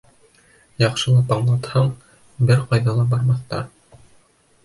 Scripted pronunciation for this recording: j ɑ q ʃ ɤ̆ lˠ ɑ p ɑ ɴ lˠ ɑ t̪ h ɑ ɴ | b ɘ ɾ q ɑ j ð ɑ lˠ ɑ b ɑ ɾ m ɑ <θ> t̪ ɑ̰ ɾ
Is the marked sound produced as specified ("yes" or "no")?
yes